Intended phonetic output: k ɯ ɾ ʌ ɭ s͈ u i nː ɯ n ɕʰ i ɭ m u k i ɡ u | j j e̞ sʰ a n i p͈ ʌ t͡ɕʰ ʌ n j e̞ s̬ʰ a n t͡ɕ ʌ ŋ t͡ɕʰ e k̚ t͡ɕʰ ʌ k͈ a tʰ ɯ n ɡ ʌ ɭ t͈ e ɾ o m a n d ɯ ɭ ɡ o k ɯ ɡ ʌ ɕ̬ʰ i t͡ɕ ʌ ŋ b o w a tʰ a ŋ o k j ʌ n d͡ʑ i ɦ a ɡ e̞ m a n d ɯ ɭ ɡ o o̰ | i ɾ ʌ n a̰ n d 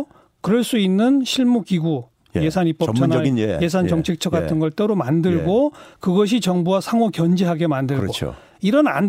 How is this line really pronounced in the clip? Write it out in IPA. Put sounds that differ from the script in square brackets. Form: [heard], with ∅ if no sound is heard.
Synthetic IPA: k ɯ ɾ ʌ ɭ s͈ u i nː ɯ n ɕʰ i ɭ m u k i ɡ u | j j e̞ sʰ a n i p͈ ʌ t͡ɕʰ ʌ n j e̞ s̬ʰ a n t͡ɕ ʌ ŋ t͡ɕʰ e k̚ t͡ɕʰ ʌ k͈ a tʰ ɯ n ɡ ʌ ɭ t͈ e ɾ o m a n d ɯ ɭ ɡ o k ɯ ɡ ʌ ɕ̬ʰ i t͡ɕ ʌ ŋ b [u] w a [sʰ] a ŋ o k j ʌ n d͡ʑ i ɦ a ɡ e̞ m a n d ɯ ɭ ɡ o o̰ | i ɾ ʌ n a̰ n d